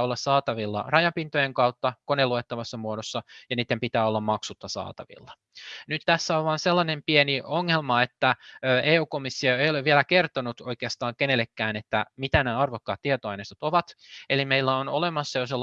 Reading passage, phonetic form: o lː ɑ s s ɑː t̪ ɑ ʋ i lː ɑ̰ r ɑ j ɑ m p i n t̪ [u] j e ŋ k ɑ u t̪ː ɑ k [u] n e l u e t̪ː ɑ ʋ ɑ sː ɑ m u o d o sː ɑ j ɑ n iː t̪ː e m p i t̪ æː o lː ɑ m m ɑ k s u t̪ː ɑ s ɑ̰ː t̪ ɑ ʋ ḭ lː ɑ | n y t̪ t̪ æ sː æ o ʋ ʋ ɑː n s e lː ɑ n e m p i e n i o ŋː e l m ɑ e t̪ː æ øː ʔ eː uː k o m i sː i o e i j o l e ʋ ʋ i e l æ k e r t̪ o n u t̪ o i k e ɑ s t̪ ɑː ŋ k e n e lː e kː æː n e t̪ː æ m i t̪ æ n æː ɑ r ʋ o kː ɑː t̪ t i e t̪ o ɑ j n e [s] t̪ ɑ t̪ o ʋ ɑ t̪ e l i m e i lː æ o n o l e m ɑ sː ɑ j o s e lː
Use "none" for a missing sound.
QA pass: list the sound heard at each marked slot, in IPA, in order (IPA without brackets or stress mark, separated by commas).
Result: o, o, s